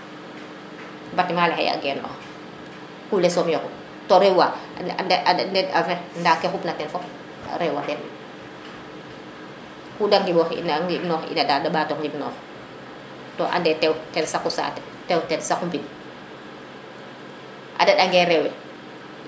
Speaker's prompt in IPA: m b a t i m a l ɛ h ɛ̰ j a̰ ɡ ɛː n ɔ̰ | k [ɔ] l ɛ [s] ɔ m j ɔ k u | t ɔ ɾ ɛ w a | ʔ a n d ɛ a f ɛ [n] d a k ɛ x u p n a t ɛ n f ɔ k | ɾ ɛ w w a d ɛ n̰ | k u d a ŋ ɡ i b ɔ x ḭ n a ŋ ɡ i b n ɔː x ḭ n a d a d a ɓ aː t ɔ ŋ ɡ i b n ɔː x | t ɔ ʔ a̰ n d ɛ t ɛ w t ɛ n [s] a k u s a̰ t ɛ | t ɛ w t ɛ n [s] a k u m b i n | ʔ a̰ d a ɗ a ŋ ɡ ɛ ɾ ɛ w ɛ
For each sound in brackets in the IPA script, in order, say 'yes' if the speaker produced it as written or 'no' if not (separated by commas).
no, yes, yes, yes, yes